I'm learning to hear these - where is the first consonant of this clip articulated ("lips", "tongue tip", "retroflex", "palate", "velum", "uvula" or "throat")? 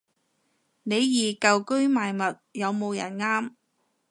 tongue tip